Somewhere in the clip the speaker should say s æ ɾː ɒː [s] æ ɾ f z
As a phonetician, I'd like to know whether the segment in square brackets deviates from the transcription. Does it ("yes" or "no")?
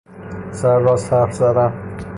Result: no